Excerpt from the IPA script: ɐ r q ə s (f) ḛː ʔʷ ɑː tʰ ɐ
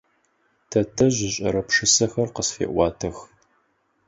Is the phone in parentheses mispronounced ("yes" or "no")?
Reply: no